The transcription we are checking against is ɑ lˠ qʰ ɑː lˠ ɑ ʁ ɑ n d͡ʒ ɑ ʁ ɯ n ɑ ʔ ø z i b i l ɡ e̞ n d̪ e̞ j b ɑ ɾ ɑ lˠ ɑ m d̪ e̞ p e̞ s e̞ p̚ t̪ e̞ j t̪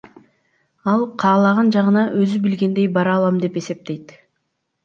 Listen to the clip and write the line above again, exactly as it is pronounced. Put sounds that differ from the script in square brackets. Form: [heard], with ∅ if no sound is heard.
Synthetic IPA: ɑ lˠ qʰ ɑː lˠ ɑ ʁ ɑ n d͡ʒ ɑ ʁ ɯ n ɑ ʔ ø z [y] b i l ɡ e̞ n d̪ e̞ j b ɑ ɾ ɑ lˠ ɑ m d̪ e̞ p e̞ s e̞ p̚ t̪ e̞ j t̪